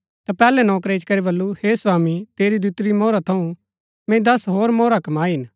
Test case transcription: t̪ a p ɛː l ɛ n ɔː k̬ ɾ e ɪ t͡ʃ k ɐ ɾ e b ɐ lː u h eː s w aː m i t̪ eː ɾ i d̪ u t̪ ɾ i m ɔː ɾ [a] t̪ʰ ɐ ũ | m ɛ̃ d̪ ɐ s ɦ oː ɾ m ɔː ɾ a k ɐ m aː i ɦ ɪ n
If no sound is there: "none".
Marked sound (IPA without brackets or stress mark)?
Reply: a